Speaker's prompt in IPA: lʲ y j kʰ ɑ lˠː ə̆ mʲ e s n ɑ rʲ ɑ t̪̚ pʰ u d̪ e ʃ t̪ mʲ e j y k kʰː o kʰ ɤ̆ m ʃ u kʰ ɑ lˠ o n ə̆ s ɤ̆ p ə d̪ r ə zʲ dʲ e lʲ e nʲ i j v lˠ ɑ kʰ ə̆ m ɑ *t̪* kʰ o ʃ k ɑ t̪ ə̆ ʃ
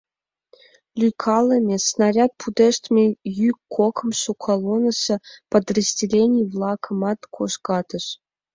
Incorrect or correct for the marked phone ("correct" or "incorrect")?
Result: correct